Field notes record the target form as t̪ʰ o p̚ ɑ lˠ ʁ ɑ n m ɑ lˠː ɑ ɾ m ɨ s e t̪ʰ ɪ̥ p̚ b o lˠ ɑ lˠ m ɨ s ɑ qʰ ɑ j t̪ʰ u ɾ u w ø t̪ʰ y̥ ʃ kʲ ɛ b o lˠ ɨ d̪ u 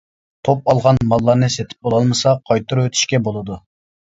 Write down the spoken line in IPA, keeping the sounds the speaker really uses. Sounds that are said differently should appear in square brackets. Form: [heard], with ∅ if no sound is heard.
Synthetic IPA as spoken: t̪ʰ o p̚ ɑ lˠ ʁ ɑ n m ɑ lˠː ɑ ɾ [n] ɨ s e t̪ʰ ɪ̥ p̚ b o lˠ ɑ lˠ m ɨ s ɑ qʰ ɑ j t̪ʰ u ɾ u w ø t̪ʰ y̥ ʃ kʲ ɛ b o lˠ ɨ d̪ u